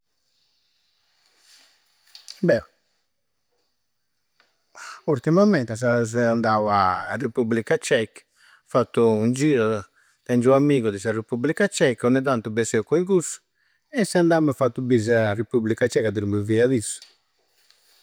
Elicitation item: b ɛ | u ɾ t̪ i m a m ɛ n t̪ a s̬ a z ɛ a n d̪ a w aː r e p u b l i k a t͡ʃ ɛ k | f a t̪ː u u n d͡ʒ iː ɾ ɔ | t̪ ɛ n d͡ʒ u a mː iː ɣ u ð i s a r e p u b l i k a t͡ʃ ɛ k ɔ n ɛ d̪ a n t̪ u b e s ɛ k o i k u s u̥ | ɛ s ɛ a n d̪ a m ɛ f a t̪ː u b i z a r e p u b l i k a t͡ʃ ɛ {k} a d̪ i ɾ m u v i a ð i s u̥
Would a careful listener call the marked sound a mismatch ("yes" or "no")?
no